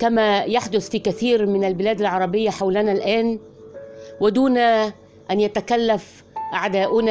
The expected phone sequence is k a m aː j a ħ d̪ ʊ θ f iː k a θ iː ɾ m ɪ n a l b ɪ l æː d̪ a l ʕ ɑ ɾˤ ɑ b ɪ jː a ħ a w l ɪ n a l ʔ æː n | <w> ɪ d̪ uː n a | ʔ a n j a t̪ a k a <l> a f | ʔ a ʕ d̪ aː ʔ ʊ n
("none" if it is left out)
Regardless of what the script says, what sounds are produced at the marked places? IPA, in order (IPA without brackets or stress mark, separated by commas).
w, lː